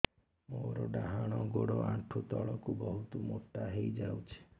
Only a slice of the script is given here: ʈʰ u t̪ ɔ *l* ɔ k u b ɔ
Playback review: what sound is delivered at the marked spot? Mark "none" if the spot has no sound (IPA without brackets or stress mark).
ɭ